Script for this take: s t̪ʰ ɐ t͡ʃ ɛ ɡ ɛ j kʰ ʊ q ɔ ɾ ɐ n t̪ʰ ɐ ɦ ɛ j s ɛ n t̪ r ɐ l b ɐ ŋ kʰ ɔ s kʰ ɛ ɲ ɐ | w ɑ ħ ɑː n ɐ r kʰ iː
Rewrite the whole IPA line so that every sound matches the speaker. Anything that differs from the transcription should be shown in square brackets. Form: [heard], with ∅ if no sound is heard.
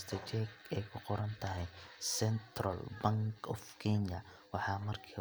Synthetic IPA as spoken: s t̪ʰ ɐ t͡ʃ ɛ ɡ ɛ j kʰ ʊ q ɔ ɾ ɐ n t̪ʰ ɐ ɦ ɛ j s ɛ n t̪ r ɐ l b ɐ ŋ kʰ ɔ [f] kʰ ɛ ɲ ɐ | w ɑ ħ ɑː [m] ɐ r kʰ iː